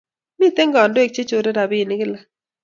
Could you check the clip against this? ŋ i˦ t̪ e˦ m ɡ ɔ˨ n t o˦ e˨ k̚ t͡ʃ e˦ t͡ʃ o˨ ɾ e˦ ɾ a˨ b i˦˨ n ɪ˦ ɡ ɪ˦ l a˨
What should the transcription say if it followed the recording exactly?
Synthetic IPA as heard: m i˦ t̪ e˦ ŋ ɡ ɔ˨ n d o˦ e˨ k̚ t͡ʃ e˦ t͡ʃ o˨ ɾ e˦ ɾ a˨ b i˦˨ n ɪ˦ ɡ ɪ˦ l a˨